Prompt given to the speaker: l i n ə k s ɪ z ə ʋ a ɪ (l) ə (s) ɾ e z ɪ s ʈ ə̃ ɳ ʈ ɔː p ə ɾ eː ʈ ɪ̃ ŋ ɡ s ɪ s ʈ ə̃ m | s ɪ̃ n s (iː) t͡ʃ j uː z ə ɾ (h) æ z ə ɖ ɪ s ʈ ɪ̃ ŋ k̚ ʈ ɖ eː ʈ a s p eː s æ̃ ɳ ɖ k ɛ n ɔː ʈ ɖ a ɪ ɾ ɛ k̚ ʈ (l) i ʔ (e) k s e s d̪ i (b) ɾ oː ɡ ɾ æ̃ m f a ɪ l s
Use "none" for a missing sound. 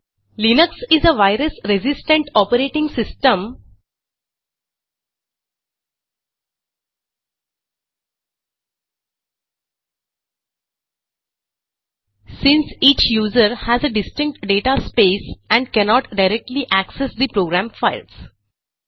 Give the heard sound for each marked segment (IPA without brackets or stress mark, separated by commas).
ɾ, s, iː, h, l, æ, p